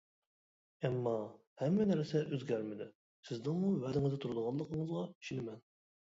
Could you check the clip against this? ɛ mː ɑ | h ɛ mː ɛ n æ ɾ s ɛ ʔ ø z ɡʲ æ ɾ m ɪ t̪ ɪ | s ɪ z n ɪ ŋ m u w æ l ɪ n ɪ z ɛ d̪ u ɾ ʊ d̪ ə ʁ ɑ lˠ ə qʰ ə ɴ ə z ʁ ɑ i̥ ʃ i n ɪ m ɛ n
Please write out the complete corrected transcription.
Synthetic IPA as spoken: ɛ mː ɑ | h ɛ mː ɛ n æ ɾ s ɛ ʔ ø z ɡʲ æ ɾ m ɪ d̪ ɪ | s ɪ z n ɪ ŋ m u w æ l ɪ ŋ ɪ z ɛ t̪ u ɾ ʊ d̪ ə ʁ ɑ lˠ ə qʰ ə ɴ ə z ʁ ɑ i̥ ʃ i n ɪ m ɛ n